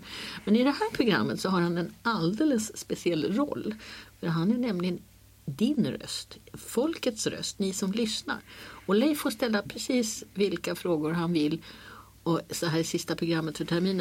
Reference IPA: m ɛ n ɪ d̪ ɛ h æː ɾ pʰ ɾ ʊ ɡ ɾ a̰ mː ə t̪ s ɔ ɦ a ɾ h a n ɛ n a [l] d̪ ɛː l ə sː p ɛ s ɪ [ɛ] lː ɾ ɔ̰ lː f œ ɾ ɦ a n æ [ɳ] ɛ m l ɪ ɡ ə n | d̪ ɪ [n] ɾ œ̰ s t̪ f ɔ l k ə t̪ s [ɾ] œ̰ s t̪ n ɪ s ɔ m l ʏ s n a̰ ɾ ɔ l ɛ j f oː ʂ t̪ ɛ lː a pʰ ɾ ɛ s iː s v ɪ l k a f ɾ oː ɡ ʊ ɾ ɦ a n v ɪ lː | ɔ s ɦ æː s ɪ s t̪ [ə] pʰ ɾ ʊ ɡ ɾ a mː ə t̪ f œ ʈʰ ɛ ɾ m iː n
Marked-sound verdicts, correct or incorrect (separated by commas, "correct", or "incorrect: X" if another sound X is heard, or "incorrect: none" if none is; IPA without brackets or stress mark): correct, correct, correct, correct, correct, incorrect: a